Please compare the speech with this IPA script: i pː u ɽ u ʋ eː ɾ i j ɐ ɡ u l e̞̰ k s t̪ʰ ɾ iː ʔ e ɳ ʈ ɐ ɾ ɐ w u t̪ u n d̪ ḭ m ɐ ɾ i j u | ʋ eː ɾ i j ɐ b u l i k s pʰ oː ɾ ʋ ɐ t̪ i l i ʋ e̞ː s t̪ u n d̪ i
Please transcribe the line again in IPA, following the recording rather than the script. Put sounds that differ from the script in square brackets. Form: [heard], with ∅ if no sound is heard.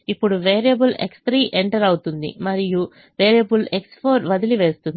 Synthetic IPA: i pː u ɽ u ʋ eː ɾ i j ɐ [b] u l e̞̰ k s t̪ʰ ɾ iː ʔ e ɳ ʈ ɐ ɾ ɐ w u t̪ u n d̪ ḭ m ɐ ɾ i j u | ʋ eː ɾ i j ɐ b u l [e] k s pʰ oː ɾ ʋ ɐ [d̪] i l i ʋ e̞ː s t̪ u n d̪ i